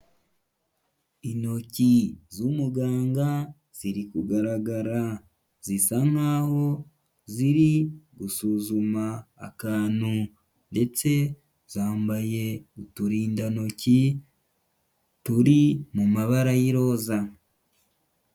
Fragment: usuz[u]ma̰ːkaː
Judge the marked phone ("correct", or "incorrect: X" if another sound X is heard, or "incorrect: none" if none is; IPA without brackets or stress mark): correct